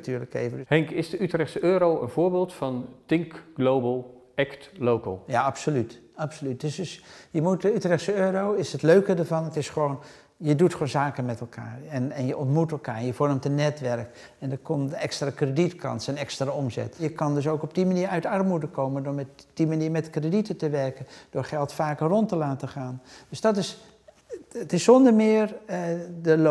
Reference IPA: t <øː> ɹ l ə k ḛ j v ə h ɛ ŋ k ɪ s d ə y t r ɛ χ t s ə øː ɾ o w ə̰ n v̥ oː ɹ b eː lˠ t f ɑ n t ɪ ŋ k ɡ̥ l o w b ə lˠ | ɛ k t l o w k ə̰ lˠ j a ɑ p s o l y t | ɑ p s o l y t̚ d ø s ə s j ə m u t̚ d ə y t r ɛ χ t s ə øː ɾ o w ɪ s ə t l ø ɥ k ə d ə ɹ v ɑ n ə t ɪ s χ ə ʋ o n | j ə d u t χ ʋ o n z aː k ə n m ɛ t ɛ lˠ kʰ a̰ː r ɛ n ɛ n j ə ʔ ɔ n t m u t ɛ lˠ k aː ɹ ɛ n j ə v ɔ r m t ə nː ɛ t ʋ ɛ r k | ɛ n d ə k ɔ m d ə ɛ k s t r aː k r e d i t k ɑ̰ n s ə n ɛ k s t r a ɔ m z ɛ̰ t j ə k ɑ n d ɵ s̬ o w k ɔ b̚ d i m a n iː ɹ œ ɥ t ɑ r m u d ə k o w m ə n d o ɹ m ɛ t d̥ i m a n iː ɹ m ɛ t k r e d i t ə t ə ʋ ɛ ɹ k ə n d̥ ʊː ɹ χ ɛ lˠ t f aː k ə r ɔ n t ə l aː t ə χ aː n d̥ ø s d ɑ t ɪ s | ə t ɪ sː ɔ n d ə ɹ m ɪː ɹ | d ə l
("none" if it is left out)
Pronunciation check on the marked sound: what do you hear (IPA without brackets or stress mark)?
yː